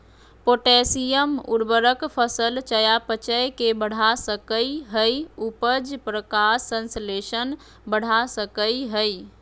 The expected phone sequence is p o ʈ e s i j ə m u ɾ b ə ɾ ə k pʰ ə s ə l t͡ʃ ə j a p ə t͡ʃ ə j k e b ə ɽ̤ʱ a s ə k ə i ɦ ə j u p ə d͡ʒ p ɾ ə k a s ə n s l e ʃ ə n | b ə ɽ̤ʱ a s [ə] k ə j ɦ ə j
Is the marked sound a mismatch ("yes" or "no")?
no